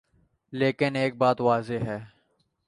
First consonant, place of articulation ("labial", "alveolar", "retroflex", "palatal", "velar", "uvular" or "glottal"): alveolar